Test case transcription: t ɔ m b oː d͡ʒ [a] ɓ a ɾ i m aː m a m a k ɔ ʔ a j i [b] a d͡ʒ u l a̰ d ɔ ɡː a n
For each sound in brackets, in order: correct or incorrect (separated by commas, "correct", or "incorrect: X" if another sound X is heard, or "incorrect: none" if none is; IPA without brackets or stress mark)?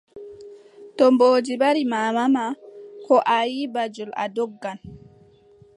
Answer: incorrect: i, correct